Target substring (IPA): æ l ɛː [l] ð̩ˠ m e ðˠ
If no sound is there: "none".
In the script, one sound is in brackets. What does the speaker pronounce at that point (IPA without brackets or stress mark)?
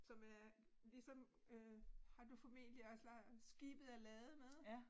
none